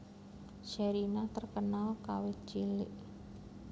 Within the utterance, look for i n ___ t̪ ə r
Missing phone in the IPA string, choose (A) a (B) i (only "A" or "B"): A